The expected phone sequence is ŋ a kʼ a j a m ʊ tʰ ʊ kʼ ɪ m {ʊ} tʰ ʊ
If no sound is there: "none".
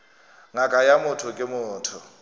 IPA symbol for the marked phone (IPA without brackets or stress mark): ʊː